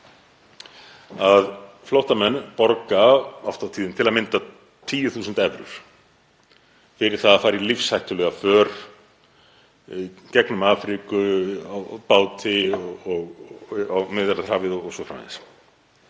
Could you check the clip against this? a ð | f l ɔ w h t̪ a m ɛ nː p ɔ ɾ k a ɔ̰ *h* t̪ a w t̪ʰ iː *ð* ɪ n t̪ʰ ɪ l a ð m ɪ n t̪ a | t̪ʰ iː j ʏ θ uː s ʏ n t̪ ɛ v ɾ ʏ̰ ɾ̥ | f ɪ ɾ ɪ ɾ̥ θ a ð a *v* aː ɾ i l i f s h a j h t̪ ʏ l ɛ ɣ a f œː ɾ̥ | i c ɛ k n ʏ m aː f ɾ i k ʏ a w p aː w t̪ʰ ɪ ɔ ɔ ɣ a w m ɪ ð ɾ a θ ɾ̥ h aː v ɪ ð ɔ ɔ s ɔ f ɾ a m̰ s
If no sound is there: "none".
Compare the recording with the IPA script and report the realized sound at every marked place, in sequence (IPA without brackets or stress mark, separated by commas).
f, ð, f